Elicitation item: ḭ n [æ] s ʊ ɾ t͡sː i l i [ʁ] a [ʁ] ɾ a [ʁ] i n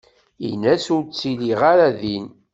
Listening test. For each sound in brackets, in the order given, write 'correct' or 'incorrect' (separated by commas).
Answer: correct, correct, incorrect, incorrect